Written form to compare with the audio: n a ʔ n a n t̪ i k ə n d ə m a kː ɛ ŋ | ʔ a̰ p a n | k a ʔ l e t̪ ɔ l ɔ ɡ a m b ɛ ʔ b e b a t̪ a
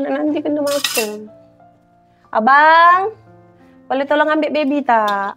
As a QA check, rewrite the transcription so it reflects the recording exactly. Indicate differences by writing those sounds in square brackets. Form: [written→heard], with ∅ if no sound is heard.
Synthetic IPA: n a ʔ n a n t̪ i k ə n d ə m a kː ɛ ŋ | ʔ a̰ [p→b] a [n→ŋ] | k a [ʔ→∅] l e t̪ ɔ l ɔ [ɡ→ŋ] a m b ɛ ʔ b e b [a→i] t̪ a